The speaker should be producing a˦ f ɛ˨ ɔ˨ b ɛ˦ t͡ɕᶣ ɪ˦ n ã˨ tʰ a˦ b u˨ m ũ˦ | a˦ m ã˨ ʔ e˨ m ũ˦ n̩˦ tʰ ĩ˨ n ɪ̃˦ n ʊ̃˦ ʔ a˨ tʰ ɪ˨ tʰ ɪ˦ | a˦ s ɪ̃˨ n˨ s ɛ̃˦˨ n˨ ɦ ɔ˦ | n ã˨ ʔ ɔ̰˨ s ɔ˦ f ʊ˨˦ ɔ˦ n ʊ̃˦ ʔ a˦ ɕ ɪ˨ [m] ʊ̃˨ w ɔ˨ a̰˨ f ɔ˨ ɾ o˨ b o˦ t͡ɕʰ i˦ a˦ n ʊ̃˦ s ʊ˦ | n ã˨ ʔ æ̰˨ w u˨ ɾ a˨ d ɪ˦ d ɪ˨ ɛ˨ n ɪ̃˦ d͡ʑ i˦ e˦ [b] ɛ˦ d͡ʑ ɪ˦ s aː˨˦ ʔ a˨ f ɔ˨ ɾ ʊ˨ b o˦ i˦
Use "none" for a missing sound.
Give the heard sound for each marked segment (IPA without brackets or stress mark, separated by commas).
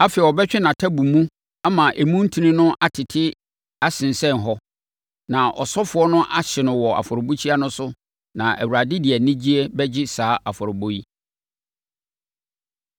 n, b